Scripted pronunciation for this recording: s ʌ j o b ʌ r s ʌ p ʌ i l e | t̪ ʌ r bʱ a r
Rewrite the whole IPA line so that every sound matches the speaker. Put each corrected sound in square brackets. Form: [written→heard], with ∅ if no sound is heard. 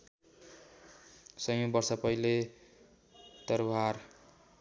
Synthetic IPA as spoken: s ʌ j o b ʌ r s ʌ p ʌ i l e | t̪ ʌ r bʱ a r